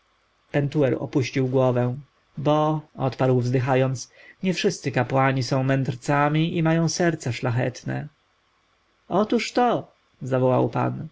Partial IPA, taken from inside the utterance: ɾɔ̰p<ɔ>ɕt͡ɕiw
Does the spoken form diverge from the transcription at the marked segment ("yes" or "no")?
yes